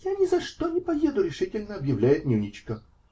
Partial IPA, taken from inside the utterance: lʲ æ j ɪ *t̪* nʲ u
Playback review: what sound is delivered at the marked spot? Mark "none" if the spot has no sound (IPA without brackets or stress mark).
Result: t̪